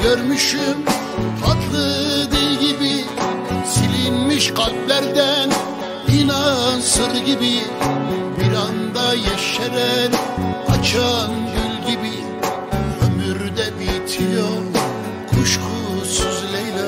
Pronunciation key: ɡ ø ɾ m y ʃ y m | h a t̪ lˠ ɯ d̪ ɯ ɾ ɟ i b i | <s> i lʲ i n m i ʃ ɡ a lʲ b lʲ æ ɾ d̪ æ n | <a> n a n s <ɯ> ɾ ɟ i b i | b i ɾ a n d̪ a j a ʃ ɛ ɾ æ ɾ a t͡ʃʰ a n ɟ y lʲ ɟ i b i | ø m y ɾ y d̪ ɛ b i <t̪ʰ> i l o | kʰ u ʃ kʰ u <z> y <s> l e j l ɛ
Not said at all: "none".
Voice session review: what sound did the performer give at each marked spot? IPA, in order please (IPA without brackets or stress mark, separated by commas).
s, i, ɯ, t̪ʰ, s, z